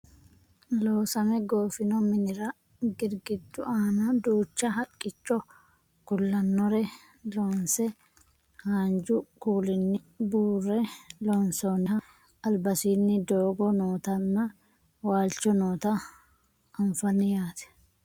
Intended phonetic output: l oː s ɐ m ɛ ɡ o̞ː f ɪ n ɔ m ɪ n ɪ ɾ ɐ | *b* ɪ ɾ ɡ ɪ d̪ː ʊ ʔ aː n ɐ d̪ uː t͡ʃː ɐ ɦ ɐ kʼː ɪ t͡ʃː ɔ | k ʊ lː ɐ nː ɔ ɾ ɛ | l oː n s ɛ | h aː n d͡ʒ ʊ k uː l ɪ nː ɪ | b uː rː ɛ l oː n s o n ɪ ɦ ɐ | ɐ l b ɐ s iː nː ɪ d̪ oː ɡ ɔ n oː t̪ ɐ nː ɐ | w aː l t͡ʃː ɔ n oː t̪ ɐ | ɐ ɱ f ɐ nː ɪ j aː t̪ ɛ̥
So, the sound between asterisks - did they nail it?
no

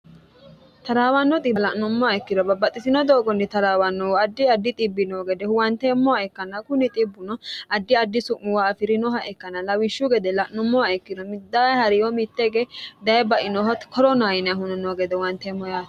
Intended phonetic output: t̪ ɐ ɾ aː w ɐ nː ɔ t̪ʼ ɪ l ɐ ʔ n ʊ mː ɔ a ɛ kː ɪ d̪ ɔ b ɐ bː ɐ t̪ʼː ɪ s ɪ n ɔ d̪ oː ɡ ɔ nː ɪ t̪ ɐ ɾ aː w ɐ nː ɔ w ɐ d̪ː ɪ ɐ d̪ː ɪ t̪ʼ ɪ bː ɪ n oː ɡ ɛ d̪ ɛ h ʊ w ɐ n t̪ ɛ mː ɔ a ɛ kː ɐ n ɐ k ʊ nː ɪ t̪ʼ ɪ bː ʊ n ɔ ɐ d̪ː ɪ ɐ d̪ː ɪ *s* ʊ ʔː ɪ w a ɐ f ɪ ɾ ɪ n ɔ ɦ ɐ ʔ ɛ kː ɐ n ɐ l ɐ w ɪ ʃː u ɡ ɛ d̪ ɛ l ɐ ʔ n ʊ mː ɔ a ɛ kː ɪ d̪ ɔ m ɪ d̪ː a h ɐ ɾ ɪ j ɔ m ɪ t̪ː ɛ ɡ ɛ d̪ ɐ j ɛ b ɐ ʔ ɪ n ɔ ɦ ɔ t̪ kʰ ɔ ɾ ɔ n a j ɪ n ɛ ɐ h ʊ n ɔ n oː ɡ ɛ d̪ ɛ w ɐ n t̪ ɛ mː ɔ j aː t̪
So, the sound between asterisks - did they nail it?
yes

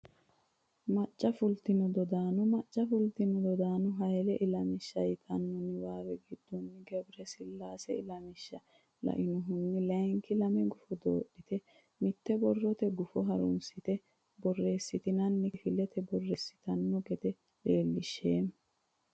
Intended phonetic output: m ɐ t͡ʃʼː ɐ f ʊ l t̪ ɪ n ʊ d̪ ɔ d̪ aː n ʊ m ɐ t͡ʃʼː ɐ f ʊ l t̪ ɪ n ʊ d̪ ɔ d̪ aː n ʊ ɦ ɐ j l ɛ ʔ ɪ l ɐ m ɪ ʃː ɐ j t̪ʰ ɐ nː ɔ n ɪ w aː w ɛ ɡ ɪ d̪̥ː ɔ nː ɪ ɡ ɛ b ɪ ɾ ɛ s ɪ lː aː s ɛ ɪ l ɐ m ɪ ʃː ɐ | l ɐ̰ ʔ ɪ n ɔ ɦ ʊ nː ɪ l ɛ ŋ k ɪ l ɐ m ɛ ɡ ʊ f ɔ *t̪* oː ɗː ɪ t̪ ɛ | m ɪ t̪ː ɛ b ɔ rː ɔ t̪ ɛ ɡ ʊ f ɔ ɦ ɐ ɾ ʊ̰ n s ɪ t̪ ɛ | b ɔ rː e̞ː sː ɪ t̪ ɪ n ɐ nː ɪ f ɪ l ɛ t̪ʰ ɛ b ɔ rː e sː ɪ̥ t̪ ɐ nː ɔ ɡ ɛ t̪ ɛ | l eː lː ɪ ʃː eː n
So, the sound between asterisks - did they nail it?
no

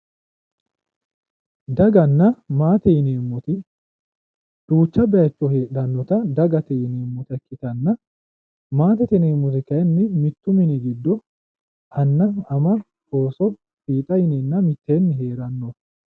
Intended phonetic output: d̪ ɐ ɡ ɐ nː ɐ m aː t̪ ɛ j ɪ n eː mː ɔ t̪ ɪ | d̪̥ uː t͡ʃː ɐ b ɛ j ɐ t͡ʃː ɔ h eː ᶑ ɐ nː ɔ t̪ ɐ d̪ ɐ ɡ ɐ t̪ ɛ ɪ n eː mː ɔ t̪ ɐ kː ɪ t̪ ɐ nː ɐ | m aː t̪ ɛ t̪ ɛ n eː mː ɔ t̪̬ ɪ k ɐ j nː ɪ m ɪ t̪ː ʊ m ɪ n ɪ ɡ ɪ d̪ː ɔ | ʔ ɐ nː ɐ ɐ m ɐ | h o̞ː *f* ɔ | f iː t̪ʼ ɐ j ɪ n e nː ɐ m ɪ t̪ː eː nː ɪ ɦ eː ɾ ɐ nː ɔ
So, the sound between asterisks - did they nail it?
no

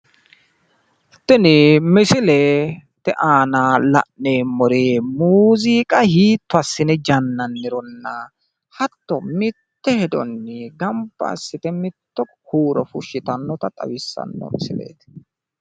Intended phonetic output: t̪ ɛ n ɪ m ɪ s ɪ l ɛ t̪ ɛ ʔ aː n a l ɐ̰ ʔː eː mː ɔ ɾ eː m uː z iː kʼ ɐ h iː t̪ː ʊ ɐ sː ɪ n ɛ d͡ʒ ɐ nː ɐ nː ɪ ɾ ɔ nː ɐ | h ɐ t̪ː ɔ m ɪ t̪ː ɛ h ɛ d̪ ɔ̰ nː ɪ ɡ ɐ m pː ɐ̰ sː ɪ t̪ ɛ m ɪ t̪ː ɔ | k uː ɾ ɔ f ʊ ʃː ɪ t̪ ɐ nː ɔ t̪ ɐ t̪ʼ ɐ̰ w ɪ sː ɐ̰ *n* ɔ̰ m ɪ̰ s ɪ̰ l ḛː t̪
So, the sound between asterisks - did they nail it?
no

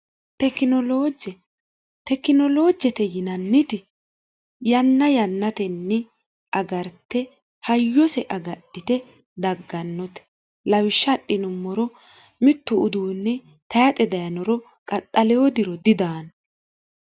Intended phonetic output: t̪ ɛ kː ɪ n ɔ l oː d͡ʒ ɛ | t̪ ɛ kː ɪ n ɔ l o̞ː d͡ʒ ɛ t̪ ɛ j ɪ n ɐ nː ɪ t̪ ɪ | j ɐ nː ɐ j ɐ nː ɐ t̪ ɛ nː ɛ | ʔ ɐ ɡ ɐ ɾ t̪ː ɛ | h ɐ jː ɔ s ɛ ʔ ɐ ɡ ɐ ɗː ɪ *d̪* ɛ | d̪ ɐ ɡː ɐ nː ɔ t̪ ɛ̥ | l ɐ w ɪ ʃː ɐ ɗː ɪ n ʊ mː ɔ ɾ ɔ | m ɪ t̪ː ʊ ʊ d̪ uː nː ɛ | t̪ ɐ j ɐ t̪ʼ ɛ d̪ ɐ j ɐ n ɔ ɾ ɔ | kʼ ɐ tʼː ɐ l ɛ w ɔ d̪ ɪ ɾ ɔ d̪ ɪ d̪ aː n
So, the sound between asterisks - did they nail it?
no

